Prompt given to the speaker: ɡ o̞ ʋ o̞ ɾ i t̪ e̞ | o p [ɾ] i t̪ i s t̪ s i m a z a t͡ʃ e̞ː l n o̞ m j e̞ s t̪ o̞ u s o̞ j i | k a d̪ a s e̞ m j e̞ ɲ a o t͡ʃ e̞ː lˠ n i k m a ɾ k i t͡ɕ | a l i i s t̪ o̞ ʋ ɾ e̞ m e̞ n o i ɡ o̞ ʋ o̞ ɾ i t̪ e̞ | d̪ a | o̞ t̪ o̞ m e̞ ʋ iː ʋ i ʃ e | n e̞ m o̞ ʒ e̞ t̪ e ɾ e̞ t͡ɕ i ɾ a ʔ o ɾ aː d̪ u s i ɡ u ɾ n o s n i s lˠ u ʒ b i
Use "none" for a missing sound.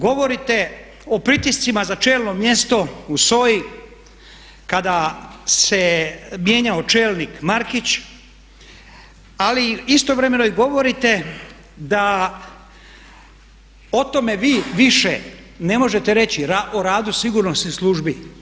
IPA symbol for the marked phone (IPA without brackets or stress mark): ɾ